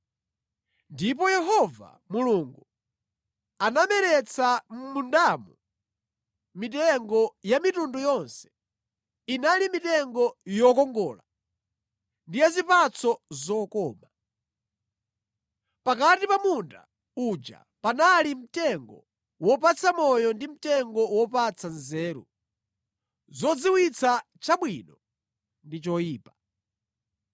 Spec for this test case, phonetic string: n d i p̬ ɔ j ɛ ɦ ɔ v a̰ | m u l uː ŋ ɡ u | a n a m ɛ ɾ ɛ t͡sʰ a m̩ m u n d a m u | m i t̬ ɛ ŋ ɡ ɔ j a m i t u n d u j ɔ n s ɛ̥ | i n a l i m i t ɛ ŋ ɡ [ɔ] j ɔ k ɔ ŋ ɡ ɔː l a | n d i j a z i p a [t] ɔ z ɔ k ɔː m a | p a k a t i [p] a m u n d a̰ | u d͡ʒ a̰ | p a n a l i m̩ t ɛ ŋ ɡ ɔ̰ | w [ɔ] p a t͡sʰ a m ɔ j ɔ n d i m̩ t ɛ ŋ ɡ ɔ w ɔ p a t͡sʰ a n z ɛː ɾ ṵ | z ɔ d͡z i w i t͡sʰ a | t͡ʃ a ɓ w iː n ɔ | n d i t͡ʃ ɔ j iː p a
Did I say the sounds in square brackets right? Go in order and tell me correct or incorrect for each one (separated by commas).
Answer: correct, incorrect, correct, correct